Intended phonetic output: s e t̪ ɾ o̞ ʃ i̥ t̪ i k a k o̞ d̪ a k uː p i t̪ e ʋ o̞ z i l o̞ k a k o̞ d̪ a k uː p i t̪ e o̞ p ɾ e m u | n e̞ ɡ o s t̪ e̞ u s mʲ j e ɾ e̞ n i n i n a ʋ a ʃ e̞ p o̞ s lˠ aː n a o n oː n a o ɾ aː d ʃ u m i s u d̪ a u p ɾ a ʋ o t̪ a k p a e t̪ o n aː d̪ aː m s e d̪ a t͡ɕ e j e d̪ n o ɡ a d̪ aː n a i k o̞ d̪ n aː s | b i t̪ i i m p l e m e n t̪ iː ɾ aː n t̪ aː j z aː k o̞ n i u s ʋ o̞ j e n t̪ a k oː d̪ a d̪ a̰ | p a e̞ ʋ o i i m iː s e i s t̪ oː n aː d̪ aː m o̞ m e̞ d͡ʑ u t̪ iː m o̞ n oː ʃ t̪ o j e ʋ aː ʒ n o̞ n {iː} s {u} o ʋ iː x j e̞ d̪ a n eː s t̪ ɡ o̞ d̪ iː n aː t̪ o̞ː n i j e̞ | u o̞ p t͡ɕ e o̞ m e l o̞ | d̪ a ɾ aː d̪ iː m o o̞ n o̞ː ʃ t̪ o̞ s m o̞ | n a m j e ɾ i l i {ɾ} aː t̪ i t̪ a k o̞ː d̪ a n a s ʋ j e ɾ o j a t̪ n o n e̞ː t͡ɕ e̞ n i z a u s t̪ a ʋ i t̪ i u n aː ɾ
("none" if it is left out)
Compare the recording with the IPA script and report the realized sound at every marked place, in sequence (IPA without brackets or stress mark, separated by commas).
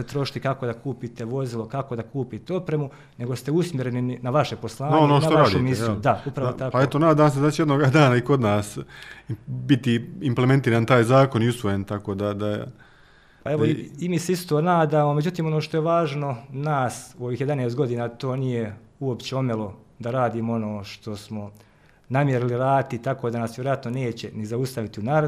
aː, u, ɾ